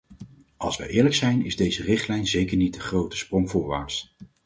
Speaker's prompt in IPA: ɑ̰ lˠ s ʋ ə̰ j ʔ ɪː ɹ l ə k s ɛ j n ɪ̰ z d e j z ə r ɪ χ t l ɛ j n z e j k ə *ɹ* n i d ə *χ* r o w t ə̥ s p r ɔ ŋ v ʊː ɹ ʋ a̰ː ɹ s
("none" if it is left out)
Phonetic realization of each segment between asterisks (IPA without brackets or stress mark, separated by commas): ɹ, χ